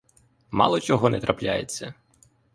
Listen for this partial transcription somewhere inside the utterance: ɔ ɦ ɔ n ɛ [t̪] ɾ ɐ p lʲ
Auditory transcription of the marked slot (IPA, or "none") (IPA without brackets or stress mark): t̪